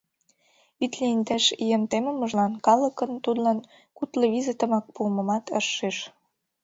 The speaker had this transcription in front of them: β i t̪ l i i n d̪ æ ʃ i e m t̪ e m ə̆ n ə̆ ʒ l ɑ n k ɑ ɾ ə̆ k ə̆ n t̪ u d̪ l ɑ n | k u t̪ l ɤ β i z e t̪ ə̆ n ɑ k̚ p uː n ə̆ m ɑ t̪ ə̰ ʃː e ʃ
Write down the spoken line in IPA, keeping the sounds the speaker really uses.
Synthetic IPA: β i t̪ l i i n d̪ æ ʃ i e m t̪ e m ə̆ m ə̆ ʒ l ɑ n k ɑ l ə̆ k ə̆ n t̪ u d̪ l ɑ n | k u t̪ l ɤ β i z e t̪ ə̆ m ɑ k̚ p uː m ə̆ m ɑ t̪ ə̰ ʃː e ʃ